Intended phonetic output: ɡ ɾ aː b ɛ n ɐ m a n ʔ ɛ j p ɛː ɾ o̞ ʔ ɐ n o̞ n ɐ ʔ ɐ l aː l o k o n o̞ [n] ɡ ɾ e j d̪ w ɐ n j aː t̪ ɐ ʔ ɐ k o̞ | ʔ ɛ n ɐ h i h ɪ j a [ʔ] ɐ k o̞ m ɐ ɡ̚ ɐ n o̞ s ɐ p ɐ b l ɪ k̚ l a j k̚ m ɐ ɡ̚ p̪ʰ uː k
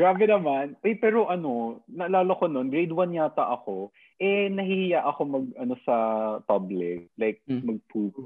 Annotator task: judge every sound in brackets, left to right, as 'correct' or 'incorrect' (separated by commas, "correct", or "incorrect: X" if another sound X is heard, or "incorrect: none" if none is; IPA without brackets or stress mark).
correct, correct